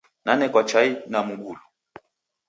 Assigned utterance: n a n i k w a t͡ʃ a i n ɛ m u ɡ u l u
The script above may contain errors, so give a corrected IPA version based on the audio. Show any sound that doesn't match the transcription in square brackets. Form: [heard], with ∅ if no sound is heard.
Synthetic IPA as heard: n a n [ɛ] k w a t͡ʃ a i n [a] m u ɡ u l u